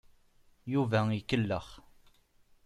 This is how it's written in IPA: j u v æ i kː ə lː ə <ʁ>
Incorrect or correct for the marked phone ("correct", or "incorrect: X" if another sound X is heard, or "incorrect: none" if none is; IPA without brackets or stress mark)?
incorrect: χ